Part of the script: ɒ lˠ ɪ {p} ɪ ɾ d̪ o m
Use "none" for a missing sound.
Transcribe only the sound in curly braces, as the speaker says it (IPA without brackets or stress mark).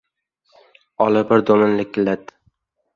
b